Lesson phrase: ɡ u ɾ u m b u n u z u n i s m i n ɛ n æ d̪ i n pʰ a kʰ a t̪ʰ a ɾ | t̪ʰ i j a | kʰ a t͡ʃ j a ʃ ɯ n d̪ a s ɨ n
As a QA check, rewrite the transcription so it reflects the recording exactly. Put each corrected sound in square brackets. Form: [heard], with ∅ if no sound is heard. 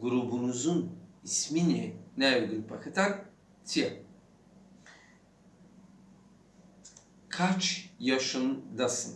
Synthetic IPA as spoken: ɡ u ɾ u [∅] b u n u z u n i s m i n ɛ n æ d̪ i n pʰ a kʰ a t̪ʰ a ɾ | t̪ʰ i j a | kʰ a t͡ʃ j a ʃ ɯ n d̪ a s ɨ n